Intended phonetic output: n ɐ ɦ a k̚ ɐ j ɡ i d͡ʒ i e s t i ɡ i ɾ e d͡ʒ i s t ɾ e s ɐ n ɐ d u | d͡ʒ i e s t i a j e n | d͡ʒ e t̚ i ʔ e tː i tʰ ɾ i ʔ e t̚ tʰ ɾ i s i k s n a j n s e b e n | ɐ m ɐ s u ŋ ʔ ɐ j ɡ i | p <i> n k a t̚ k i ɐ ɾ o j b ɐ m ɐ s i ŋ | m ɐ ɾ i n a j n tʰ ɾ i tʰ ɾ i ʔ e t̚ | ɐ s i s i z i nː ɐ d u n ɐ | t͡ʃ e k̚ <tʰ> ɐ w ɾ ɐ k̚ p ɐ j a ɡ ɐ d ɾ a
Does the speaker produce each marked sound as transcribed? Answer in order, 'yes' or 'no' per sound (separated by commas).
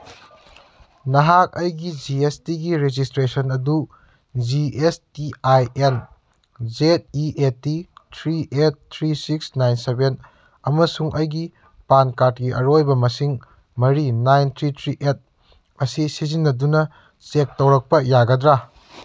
no, no